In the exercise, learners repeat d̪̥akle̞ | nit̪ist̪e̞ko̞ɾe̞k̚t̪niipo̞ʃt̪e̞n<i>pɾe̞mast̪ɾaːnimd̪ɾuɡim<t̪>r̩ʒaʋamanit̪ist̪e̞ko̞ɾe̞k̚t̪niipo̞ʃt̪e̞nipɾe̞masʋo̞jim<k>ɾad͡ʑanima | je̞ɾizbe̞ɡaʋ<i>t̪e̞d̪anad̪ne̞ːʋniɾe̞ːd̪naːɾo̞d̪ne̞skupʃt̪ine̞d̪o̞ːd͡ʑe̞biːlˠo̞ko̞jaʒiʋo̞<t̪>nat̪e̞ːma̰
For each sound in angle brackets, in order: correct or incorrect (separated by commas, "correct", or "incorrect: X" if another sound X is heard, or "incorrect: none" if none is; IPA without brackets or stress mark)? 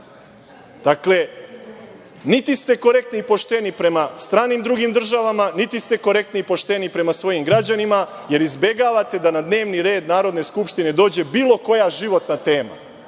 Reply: correct, incorrect: d̪, incorrect: ɡ, incorrect: a, correct